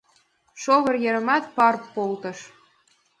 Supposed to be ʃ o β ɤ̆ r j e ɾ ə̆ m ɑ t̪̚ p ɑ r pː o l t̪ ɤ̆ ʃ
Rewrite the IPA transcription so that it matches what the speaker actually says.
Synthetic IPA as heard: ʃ o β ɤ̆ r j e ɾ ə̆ m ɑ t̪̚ p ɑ r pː o l t̪ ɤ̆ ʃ